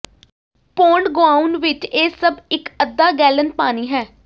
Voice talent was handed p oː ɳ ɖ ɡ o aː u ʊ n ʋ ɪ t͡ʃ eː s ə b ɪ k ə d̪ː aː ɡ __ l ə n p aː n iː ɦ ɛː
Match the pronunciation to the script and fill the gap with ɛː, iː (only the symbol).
ɛː